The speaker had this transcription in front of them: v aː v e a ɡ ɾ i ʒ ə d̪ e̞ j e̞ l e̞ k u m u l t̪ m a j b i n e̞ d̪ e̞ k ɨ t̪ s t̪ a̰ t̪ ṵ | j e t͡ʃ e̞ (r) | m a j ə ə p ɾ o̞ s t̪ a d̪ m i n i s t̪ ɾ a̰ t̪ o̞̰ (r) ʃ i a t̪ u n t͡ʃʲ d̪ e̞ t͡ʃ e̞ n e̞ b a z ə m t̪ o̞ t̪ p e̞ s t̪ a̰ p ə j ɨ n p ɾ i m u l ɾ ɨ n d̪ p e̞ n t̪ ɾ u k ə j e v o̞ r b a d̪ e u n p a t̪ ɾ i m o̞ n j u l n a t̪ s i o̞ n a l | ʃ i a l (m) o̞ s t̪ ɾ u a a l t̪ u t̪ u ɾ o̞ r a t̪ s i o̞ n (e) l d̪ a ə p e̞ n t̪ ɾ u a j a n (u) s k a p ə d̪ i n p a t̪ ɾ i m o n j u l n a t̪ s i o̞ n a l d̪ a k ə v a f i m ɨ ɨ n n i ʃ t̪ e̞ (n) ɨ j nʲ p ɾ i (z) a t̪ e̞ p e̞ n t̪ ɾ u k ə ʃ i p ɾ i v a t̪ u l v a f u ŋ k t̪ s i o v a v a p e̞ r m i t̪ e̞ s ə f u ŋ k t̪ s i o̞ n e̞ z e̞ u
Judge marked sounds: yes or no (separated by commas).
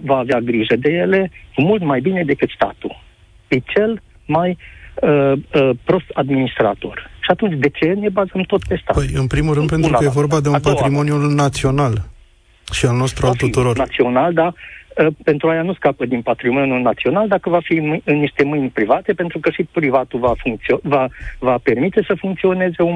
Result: no, yes, no, no, yes, no, no